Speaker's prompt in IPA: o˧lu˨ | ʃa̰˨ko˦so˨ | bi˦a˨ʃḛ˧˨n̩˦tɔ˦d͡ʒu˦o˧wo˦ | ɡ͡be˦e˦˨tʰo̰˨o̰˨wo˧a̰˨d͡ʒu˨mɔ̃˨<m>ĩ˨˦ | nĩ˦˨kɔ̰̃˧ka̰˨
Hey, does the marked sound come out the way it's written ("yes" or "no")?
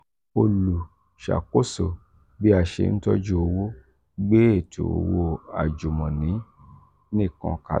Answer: no